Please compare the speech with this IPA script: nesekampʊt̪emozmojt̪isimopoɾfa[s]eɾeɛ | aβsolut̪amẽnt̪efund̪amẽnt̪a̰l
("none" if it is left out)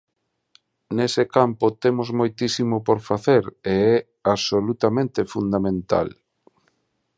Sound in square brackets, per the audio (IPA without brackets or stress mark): θ